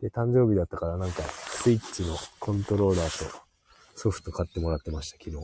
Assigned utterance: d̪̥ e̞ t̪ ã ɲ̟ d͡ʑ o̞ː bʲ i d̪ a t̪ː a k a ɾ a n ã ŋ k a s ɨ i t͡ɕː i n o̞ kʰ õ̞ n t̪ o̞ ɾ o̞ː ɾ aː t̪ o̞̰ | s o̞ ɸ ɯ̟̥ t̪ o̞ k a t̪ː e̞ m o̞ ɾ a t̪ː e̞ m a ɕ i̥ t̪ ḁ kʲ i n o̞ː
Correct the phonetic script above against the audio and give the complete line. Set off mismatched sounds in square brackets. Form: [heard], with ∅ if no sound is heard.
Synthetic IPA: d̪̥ e̞ t̪ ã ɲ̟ d͡ʑ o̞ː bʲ i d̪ a t̪ː a k a ɾ a n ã ŋ k a s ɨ i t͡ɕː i n o̞ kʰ õ̞ n t̪ o̞ ɾ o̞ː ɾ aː t̪ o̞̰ | s o̞ ɸ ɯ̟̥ t̪ o̞ k a t̪ː e̞ m o̞ ɾ a t̪ː e̞ m a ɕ i̥ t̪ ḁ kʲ i n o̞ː